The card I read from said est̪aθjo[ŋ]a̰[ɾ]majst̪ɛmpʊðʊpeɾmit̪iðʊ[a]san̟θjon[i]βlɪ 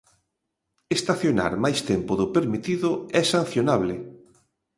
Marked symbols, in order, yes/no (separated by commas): no, yes, no, no